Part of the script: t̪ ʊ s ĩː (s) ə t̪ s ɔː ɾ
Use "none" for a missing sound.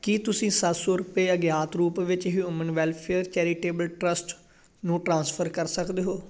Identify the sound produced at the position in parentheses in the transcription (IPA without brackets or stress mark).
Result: s